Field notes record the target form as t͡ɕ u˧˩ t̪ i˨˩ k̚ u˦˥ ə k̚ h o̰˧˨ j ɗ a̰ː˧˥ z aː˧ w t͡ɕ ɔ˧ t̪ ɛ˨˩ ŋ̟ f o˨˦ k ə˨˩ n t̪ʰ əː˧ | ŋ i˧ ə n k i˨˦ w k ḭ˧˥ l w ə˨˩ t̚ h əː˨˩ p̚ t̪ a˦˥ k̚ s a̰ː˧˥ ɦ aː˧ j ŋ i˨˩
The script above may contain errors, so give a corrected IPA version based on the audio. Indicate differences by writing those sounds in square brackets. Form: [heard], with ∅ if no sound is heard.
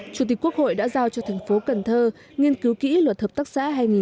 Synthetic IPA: t͡ɕ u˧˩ t̪ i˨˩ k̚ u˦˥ ə k̚ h o̰˧˨ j ɗ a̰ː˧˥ z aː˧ w t͡ɕ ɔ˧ [t̪ʰ] ɛ˨˩ ŋ̟ f o˨˦ k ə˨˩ n t̪ʰ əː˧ | ŋ i˧ ə n k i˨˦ w k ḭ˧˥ l w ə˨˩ t̚ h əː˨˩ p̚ t̪ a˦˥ k̚ s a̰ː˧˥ ɦ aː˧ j ŋ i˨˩